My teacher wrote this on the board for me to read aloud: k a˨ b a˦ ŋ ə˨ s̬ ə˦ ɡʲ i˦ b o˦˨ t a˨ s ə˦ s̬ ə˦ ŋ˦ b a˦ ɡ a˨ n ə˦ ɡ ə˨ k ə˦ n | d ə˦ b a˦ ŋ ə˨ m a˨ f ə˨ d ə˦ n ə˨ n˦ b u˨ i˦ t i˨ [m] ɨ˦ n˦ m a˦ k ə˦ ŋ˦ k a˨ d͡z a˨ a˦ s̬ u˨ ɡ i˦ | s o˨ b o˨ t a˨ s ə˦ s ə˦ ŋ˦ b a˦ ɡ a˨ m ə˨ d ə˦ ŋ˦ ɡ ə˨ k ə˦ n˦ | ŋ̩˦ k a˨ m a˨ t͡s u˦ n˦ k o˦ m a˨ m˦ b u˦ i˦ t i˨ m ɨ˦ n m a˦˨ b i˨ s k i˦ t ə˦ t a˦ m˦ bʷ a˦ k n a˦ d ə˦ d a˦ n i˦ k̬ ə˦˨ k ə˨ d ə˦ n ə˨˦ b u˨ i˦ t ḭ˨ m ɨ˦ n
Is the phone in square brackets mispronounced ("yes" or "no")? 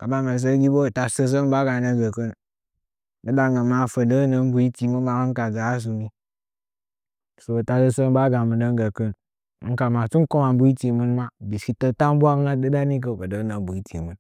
no